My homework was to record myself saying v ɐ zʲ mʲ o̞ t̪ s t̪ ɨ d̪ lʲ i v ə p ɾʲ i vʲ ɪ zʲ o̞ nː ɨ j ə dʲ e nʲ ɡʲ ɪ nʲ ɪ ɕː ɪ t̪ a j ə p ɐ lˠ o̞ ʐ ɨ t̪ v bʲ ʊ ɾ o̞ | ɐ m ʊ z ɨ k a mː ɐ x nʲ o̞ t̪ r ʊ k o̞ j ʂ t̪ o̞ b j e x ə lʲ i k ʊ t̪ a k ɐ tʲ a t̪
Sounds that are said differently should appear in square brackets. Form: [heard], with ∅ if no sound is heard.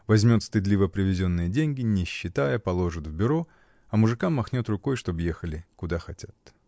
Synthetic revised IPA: v ɐ zʲ mʲ o̞ t̪ s t̪ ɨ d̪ lʲ i v ə p ɾʲ [ɪ] vʲ ɪ zʲ o̞ nː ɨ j ə dʲ e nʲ ɡʲ ɪ nʲ ɪ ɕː ɪ t̪ a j ə p ɐ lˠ o̞ ʐ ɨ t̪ v bʲ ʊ ɾ o̞ | ɐ m ʊ [ʐ] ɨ k a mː ɐ x nʲ o̞ t̪ r ʊ k o̞ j ʂ t̪ o̞ b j e x ə lʲ [ɪ] k ʊ [d̪] a [x] ɐ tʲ a t̪

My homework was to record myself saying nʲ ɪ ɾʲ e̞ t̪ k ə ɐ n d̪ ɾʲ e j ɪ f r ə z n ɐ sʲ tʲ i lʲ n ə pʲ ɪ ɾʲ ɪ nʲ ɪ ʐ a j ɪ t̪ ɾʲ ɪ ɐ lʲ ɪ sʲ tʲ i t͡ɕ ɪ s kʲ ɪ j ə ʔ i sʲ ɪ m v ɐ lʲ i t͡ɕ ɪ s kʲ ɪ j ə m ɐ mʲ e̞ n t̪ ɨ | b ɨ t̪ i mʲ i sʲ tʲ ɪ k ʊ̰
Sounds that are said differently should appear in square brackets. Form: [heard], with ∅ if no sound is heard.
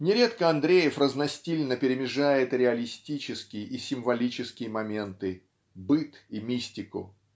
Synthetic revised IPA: nʲ ɪ ɾʲ e̞ t̪ k ə ɐ n d̪ ɾʲ e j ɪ f r ə z n ɐ sʲ tʲ i lʲ n ə pʲ ɪ ɾʲ ɪ [mʲ] ɪ ʐ a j ɪ t̪ ɾʲ ɪ ɐ lʲ ɪ sʲ tʲ i t͡ɕ ɪ s kʲ ɪ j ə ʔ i sʲ ɪ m v ɐ lʲ i t͡ɕ ɪ s kʲ ɪ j ə m ɐ mʲ e̞ n t̪ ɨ | b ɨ t̪ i mʲ i sʲ tʲ ɪ k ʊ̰

